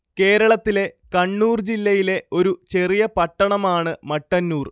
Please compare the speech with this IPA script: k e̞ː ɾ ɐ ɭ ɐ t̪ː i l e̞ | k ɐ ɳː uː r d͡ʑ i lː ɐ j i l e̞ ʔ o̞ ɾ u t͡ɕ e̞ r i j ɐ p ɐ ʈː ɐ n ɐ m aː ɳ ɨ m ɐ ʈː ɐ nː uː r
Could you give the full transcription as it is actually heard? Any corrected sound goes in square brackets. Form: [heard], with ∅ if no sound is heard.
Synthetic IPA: k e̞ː ɾ ɐ ɭ ɐ t̪ː i l e̞ | k ɐ ɳː uː r d͡ʑ i lː ɐ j i l e̞ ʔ o̞ ɾ u t͡ɕ e̞ r i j ɐ p ɐ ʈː ɐ [ɳ] ɐ m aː ɳ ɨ m ɐ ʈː ɐ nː uː r